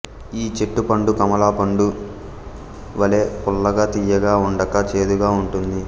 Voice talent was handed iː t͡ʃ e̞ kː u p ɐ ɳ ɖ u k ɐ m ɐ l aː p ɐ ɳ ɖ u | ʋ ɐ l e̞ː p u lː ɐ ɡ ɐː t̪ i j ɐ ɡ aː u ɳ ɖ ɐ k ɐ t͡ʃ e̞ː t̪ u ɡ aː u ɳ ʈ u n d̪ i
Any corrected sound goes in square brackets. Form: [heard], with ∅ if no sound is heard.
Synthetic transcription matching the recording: iː t͡ʃ e̞ [ʈː] u p ɐ ɳ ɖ u k ɐ m ɐ l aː p ɐ ɳ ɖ u | ʋ ɐ l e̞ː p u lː ɐ ɡ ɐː t̪ i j ɐ ɡ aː u ɳ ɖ ɐ k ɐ t͡ʃ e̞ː [d̪] u ɡ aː u ɳ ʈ u n d̪ i

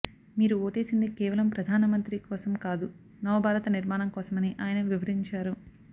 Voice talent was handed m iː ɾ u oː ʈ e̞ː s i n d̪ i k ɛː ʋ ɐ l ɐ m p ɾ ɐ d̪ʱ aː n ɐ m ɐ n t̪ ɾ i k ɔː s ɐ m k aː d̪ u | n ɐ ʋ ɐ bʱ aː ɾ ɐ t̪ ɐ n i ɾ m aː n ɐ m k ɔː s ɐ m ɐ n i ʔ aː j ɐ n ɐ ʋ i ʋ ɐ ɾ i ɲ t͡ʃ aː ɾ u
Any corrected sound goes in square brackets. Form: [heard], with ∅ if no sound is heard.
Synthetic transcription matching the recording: m iː ɾ u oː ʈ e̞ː s i n d̪ i k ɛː ʋ ɐ l ɐ m p ɾ ɐ d̪ʱ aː n ɐ m ɐ n t̪ ɾ i k ɔː s ɐ m k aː d̪ u | n ɐ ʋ ɐ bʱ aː ɾ ɐ t̪ ɐ n i ɾ m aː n ɐ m k ɔː s ɐ m ɐ n i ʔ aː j ɐ n ɐ ʋ i ʋ ɐ ɾ i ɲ t͡ʃ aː ɾ u

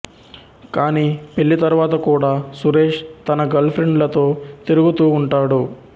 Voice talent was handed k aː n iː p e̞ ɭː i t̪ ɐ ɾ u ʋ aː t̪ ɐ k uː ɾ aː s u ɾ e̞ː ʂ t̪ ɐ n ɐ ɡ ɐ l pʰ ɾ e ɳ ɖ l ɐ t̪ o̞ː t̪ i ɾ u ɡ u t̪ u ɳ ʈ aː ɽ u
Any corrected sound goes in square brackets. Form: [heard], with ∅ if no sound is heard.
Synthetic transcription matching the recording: k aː n iː p e̞ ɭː i t̪ ɐ ɾ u ʋ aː t̪ ɐ k uː [ɽ] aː s u ɾ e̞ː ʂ t̪ ɐ n ɐ ɡ ɐ l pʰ ɾ e ɳ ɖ l ɐ t̪ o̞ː t̪ i ɾ u ɡ u t̪ [uː] ɳ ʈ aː ɽ u

